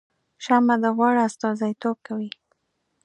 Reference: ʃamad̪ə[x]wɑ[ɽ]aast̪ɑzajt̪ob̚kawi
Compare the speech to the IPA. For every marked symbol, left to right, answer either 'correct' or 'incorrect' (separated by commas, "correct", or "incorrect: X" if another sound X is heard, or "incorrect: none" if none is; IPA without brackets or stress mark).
incorrect: ɣ, correct